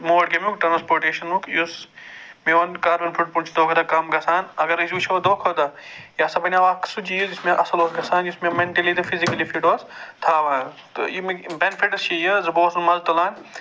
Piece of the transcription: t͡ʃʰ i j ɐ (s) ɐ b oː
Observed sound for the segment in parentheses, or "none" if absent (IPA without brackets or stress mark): z